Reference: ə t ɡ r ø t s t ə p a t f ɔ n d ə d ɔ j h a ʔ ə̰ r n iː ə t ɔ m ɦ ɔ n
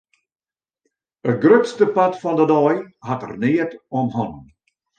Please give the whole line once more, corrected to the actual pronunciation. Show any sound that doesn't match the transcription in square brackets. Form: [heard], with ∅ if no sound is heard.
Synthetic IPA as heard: ə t ɡ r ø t s t ə p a t f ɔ n d ə d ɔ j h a [t] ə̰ r n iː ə t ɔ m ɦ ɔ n